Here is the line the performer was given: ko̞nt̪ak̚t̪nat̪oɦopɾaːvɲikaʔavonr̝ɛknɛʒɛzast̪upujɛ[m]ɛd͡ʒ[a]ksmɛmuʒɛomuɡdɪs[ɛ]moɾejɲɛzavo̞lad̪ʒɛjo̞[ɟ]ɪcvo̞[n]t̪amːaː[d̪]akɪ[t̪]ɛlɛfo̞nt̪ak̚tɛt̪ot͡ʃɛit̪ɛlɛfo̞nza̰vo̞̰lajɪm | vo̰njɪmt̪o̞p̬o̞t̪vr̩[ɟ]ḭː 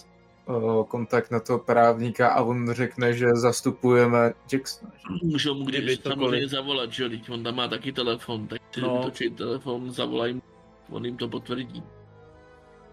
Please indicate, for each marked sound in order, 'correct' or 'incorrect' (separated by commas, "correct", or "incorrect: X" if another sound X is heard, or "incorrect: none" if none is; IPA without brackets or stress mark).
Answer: correct, incorrect: ɛ, incorrect: a, incorrect: d, correct, incorrect: t̪, correct, correct